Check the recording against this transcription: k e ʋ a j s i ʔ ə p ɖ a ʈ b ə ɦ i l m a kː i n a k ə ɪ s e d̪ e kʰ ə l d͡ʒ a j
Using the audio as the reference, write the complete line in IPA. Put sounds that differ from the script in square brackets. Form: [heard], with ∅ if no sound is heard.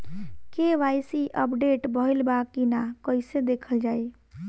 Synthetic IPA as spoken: k e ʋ a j s i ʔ ə p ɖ [e] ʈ b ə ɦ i l [b] a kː i n a k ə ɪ s e d̪ e kʰ ə l d͡ʒ a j

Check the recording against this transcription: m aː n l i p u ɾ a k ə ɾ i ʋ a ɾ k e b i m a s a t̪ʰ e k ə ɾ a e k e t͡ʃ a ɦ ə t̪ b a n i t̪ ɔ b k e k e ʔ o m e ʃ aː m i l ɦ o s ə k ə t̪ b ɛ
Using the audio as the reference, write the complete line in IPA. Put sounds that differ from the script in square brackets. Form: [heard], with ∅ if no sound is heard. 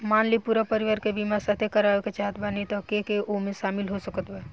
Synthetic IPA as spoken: m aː n l i p u ɾ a [p] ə ɾ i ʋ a ɾ k e b i m a s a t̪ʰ e k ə ɾ a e k e t͡ʃ a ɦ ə t̪ b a n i t̪ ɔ [∅] k e k e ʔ o m e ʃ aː m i l ɦ o s ə k ə t̪ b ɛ

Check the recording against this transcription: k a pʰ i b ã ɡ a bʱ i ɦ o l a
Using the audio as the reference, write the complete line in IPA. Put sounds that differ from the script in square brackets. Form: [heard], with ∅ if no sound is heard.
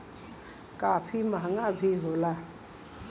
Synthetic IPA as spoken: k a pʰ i [m] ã [ŋ] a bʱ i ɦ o l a

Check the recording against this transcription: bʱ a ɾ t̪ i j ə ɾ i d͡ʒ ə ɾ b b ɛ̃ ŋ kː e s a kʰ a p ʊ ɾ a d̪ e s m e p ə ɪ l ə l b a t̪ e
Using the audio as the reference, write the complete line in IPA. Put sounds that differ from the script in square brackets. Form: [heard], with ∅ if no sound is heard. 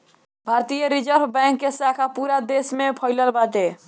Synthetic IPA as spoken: bʱ a ɾ t̪ i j ə ɾ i d͡ʒ ə ɾ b b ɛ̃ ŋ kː e s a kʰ a p [u] ɾ a d̪ e s m e [pʰ] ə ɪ l ə l b a t̪ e

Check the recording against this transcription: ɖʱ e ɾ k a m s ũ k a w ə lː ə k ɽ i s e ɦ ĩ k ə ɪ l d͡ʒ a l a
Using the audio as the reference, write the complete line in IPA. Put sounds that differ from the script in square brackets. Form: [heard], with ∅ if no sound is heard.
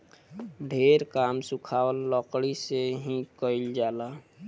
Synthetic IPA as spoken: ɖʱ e ɾ k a m s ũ [kʰ] a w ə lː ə k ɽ i s e ɦ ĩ k ə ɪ l d͡ʒ a l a

